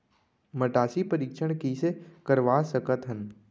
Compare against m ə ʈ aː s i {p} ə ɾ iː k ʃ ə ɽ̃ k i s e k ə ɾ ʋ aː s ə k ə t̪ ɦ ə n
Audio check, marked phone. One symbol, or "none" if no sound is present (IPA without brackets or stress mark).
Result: p